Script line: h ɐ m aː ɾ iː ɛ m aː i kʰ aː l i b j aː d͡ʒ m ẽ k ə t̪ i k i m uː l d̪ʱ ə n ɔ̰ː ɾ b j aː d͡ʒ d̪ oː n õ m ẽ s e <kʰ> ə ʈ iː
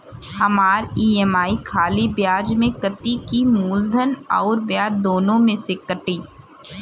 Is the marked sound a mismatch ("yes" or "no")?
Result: yes